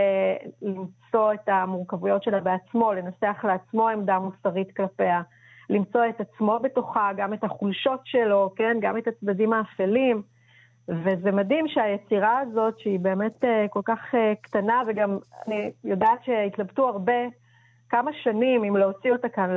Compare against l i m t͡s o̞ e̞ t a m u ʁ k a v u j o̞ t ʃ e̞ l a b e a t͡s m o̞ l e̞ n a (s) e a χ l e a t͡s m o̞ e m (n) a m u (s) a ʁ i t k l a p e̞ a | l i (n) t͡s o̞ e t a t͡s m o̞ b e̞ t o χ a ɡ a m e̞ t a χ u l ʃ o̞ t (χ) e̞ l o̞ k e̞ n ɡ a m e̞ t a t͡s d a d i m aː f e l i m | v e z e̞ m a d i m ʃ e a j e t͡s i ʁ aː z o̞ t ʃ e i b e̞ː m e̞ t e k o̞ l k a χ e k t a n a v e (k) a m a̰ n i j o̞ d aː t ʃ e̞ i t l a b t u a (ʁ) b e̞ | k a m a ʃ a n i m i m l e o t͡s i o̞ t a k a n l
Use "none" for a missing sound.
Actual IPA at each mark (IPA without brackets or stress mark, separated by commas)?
s, d, s, m, ʃ, ɡ, ʁ